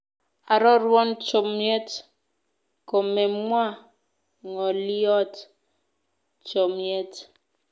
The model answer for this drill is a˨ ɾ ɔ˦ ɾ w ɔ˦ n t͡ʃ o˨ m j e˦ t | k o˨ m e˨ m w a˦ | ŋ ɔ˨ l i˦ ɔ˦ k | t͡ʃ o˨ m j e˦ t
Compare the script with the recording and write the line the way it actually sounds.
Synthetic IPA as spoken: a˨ ɾ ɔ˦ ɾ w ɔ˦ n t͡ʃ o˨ m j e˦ t | k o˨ m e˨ m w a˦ | ŋ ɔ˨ l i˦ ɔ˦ t | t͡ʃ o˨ m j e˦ t